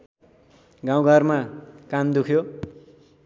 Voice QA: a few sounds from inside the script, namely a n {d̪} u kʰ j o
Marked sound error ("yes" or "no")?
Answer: no